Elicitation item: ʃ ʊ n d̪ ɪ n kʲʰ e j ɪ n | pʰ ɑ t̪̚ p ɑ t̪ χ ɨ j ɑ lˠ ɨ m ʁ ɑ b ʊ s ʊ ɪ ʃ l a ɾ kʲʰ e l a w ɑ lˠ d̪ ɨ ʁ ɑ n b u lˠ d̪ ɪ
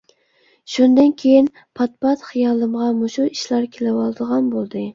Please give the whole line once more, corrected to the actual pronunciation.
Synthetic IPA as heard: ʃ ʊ n d̪ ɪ n kʲʰ e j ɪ n | pʰ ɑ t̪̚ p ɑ t̪ χ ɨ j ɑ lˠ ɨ m ʁ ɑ m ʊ ʃ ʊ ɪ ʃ l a ɾ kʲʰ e l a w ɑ lˠ d̪ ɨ ʁ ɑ n b o lˠ d̪ ɪ